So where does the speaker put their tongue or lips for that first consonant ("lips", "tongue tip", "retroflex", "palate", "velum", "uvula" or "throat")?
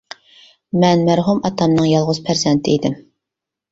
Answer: lips